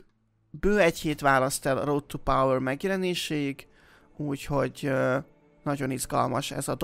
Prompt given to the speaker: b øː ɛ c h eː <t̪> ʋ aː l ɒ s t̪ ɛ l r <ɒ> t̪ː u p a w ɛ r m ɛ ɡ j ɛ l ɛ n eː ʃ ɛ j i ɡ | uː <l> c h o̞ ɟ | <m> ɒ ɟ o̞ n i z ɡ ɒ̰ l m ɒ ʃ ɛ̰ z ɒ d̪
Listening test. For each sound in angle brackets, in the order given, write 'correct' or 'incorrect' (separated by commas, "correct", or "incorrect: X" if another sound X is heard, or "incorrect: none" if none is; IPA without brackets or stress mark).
correct, incorrect: o, incorrect: none, incorrect: n